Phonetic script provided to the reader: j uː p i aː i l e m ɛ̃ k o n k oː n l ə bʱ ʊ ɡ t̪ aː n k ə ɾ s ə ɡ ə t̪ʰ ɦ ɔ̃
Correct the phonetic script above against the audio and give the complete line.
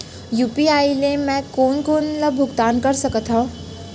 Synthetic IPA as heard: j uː p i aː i l e m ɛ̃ k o n k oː n l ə bʱ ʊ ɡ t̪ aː n k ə ɾ s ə k ə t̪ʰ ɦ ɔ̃